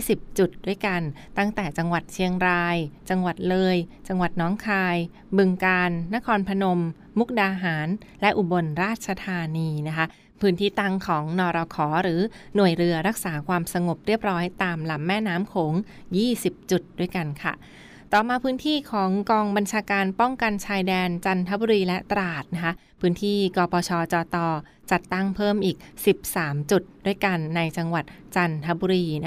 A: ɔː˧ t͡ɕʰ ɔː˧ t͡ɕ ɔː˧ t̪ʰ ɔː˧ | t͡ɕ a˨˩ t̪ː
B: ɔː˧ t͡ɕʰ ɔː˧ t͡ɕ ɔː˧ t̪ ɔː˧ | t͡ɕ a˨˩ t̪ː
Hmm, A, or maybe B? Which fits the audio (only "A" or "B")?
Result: B